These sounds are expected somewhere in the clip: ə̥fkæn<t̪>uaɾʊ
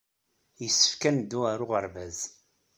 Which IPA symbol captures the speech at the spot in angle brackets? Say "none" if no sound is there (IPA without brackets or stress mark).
d̪